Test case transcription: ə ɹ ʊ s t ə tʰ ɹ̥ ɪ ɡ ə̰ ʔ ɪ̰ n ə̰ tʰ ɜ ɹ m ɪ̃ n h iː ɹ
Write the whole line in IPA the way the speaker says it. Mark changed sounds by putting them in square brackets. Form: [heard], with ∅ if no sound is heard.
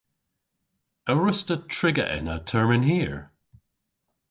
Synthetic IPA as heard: ə ɹ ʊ s t ə tʰ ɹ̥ ɪ ɡ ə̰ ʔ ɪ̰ n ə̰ tʰ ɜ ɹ m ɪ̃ n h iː ɹ